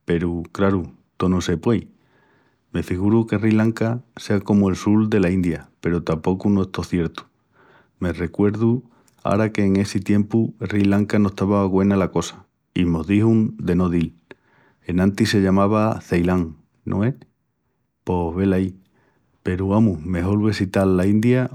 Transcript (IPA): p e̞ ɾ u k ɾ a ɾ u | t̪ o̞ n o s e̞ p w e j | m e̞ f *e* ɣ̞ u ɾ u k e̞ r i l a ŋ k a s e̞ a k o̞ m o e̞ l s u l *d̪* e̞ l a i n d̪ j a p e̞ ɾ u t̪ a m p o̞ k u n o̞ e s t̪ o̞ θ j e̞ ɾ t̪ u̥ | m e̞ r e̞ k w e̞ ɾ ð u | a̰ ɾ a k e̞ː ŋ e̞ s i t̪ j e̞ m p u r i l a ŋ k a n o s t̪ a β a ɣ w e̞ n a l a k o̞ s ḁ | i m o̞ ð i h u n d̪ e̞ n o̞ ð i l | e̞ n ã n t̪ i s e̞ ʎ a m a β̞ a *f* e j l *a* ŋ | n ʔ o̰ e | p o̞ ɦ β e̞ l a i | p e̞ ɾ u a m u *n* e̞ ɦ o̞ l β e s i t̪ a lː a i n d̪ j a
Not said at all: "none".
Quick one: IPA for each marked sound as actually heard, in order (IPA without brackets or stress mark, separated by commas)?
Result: i, d̪, θ, a, m